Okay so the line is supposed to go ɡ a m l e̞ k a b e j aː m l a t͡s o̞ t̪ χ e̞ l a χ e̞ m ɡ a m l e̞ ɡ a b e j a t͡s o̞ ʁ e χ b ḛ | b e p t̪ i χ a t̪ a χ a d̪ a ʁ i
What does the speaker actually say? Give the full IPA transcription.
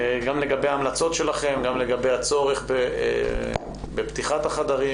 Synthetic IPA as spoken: ɡ a m l e̞ ɡ a b e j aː m l a t͡s o̞ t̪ ʃ e̞ l a χ e̞ m ɡ a m l e̞ ɡ a b e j a t͡s o̞ ʁ e χ b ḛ | b e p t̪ i χ a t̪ a χ a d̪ a ʁ i